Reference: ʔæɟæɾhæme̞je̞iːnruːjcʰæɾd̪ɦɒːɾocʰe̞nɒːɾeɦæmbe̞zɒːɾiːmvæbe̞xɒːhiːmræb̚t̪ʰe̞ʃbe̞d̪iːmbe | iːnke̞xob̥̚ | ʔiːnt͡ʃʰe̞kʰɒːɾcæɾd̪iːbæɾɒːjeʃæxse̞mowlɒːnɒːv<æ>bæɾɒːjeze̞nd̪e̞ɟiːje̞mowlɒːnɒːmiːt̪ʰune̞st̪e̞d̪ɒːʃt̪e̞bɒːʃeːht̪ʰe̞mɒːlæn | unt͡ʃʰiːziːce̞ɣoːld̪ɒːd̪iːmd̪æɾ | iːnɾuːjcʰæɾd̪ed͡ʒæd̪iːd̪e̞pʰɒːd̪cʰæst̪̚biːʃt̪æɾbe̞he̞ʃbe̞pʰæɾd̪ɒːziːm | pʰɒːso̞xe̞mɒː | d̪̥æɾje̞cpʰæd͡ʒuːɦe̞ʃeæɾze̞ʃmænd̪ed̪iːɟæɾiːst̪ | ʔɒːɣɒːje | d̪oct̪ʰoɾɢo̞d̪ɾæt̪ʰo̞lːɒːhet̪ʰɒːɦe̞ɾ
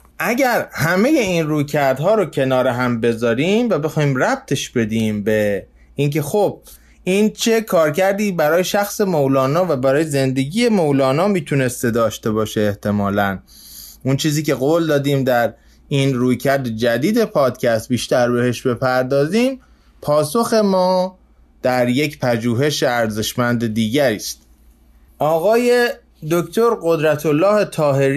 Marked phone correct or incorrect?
correct